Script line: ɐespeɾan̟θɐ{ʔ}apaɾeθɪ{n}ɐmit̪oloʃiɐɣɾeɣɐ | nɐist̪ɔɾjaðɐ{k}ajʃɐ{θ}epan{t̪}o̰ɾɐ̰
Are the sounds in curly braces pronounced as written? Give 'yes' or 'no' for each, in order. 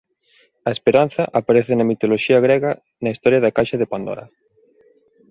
yes, yes, yes, no, no

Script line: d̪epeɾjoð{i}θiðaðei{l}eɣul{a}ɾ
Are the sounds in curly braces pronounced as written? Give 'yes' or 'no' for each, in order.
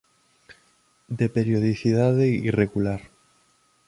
yes, no, yes

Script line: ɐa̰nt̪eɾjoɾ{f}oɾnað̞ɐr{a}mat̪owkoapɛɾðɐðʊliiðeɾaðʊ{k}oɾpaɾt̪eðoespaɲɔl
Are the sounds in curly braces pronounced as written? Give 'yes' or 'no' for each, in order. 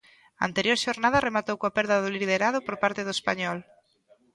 no, no, no

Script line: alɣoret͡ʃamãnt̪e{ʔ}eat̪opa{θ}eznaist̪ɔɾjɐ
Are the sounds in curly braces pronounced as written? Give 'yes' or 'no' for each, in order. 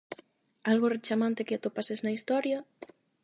no, no

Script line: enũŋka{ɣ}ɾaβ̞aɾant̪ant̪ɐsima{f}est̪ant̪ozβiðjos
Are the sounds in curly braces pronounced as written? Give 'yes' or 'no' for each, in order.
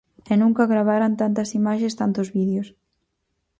yes, no

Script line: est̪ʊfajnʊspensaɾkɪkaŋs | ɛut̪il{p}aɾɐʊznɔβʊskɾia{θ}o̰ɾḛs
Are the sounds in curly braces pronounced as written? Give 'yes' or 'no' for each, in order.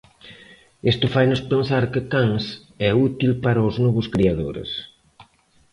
yes, no

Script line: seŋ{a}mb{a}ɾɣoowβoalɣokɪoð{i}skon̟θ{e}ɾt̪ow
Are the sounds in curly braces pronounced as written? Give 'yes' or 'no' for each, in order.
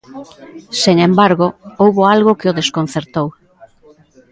no, yes, no, yes

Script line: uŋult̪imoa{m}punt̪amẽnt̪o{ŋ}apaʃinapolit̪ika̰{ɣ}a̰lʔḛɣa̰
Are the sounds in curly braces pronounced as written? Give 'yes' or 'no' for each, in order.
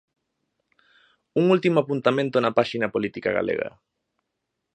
no, no, yes

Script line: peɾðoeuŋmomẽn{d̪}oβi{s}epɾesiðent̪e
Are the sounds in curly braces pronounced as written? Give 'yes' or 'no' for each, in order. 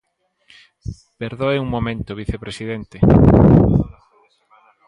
no, no

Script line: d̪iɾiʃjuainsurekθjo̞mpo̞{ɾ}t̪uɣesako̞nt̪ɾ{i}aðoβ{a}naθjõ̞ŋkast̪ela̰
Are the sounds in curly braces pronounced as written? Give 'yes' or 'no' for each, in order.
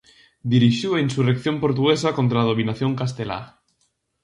yes, no, no

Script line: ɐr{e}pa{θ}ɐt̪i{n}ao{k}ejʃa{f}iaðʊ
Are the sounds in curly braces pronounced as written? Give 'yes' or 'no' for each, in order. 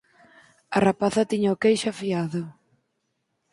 no, yes, no, yes, yes

